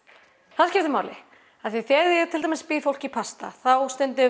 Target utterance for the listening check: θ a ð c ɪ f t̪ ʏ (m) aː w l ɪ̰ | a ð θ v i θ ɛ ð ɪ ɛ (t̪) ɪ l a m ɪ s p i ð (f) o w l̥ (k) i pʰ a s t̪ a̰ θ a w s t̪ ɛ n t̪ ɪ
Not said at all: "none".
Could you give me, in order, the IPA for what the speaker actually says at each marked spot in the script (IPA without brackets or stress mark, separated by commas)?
m, t̪ʰ, f, c